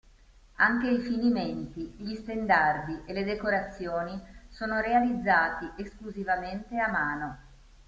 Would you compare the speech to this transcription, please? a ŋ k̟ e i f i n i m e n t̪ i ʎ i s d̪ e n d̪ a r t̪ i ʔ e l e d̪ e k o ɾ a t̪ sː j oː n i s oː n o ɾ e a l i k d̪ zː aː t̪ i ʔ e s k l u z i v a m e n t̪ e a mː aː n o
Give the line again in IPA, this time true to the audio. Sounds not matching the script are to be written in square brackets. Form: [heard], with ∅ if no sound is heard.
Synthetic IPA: a ŋ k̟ e i f i n i m e n t̪ i ʎ i s [t̪] e n d̪ a r [d̪] i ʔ e l e d̪ e k o ɾ a t̪ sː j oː n i s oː n o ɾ e a l i [∅] d̪ zː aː t̪ i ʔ e s k l u z i v a m e n t̪ e a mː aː n o